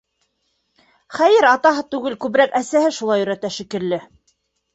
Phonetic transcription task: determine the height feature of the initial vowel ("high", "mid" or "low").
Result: low